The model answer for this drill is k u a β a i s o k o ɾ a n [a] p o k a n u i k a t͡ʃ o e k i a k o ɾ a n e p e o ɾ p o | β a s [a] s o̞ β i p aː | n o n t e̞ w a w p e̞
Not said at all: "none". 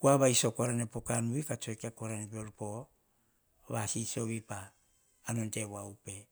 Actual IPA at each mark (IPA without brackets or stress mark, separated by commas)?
e, i